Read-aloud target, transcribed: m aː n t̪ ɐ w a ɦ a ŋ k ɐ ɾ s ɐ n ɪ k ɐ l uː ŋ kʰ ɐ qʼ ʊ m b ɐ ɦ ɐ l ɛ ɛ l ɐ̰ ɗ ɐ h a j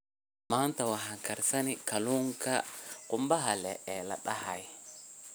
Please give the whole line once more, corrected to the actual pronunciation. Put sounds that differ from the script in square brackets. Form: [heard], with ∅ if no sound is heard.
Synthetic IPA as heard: m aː n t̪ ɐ w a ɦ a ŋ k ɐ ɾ s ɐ n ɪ k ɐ l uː ŋ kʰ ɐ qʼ ʊ m b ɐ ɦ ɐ l ɛ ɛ l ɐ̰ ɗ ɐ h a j